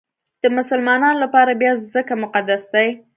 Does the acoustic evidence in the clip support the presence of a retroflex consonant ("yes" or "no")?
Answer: no